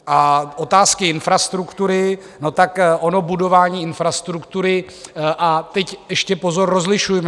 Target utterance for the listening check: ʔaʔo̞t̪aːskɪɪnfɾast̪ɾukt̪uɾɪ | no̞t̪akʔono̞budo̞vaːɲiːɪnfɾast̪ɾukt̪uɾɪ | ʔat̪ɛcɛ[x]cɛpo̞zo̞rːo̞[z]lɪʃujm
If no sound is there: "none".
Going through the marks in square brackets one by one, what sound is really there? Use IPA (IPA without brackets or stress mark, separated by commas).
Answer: ʃ, z